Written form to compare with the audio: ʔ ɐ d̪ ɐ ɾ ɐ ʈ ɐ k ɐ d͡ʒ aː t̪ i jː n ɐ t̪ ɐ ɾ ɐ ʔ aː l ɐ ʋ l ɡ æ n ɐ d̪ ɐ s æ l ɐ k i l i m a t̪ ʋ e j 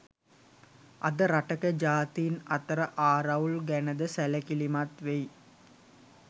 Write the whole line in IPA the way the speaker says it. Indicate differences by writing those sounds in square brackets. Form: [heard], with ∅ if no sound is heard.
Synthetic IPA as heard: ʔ ɐ d̪ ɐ ɾ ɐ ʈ ɐ k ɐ d͡ʒ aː t̪ i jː n ɐ t̪ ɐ ɾ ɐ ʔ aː [ɾ] ɐ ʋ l ɡ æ n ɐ d̪ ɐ s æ l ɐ k i l i m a t̪ ʋ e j